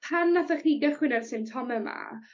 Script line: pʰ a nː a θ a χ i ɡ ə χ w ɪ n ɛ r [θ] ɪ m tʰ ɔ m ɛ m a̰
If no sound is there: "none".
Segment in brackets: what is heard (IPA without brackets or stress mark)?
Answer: s